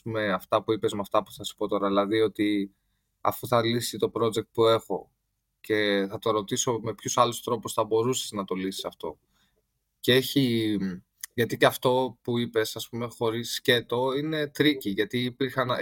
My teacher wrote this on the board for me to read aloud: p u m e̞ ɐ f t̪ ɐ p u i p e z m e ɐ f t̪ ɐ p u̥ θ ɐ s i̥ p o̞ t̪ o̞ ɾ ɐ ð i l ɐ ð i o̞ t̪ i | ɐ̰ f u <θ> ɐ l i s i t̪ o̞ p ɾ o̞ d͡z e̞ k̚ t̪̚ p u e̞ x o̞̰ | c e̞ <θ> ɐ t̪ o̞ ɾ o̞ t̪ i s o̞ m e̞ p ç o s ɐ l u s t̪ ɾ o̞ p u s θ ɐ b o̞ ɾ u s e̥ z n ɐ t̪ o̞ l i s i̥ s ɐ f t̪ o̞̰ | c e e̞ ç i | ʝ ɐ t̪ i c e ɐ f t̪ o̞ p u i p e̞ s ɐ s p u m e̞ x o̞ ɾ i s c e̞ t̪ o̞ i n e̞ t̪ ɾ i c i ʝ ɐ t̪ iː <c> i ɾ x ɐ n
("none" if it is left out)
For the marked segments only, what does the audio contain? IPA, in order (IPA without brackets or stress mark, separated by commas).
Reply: θ, θ, p